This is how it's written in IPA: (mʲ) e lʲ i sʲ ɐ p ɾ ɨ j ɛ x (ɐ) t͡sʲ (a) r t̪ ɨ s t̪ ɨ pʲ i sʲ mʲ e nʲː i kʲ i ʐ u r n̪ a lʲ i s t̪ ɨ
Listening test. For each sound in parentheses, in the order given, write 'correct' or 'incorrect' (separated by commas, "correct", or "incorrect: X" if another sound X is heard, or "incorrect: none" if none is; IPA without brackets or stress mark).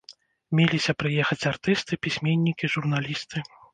correct, correct, correct